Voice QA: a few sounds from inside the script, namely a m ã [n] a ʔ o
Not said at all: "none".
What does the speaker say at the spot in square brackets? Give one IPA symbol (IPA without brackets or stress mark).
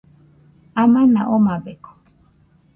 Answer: n